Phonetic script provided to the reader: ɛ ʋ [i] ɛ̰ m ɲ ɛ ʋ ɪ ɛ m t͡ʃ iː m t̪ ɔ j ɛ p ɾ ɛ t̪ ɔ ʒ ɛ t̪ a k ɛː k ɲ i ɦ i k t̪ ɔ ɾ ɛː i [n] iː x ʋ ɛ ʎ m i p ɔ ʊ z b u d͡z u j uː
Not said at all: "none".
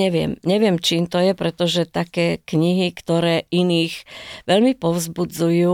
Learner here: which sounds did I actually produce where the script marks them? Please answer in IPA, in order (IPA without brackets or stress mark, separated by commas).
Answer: ɪ, n